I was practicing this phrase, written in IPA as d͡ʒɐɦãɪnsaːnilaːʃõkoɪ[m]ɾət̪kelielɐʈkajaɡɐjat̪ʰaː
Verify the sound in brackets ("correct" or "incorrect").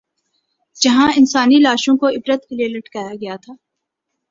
incorrect